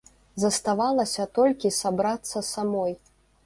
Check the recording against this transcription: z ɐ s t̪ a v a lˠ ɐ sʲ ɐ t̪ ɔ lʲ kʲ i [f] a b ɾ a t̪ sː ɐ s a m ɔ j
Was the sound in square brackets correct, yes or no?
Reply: no